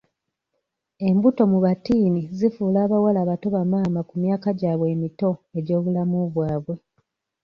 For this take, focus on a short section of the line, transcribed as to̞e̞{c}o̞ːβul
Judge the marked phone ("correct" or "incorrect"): incorrect